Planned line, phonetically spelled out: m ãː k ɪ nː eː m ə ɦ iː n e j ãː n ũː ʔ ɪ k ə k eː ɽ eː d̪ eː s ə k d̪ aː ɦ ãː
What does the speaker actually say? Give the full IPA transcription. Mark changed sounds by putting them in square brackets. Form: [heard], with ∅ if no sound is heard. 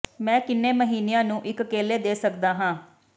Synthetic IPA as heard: m [ɛ̃ː] k ɪ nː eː m ə ɦ iː n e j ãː n ũː ʔ ɪ k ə k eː [l] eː d̪ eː s ə k d̪ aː ɦ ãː